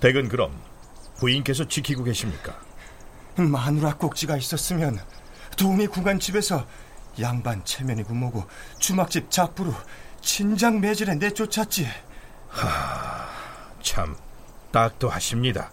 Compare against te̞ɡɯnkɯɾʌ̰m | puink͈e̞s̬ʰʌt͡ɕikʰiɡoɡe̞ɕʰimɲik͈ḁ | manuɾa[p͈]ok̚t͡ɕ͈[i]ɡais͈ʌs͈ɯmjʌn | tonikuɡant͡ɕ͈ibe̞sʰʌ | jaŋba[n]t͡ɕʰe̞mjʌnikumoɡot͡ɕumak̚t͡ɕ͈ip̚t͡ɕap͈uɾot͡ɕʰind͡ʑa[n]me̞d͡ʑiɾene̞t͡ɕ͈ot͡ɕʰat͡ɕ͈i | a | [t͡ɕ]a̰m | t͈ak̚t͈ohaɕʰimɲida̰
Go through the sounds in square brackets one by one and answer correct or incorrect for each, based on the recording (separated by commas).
incorrect, correct, correct, incorrect, incorrect